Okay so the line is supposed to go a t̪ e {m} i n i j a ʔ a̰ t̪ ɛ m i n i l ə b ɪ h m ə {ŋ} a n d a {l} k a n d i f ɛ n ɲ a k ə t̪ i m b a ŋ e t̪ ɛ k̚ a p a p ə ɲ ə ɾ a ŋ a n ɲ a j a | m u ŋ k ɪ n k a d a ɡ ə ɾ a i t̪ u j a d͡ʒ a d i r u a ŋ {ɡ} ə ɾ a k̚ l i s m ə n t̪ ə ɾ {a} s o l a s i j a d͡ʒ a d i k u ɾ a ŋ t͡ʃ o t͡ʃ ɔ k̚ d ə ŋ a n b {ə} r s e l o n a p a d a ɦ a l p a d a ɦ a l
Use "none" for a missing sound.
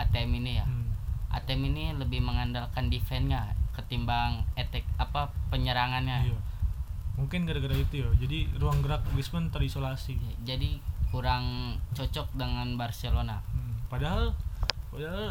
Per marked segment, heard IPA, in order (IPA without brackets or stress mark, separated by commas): m, ŋ, l, ɡ, i, a